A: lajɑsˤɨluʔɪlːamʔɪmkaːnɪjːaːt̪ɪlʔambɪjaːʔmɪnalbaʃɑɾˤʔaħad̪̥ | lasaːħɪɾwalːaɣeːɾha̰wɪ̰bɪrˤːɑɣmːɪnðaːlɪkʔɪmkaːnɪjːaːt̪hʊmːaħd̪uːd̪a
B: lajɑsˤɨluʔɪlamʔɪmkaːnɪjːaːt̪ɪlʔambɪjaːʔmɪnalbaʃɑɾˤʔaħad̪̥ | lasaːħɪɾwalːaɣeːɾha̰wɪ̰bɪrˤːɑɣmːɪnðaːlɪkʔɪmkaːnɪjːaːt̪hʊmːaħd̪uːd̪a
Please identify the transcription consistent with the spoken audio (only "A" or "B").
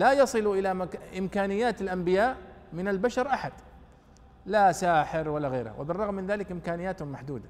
B